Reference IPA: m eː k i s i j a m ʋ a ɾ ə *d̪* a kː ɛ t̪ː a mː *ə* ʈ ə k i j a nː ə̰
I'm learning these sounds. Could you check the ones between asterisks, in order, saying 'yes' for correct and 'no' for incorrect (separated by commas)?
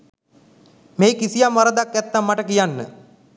yes, no